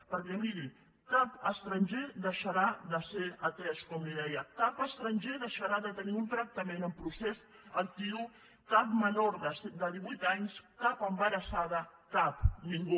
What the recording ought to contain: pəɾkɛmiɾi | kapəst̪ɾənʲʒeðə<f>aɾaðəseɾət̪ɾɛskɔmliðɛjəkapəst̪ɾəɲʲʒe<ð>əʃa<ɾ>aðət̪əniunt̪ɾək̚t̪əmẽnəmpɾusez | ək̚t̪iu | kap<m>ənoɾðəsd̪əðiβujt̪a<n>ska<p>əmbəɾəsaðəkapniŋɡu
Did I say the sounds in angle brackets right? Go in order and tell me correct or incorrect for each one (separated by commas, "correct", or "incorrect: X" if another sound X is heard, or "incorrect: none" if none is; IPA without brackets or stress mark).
incorrect: ʃ, correct, correct, correct, incorrect: ɲ, correct